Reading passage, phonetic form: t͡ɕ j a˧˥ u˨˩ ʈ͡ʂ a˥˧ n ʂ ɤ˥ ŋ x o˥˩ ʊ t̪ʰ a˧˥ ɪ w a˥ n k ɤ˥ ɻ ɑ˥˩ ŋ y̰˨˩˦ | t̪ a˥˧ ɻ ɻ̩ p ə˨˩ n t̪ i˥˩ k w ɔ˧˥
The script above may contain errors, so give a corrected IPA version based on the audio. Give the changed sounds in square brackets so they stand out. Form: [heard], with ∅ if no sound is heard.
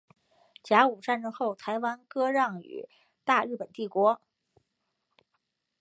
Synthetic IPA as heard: t͡ɕ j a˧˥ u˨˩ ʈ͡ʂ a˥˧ n [ʈ͡ʂ] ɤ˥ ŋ x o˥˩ ʊ t̪ʰ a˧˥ ɪ w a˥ n k ɤ˥ ɻ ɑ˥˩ ŋ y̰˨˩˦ | t̪ a˥˧ ɻ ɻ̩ p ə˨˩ n t̪ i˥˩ k w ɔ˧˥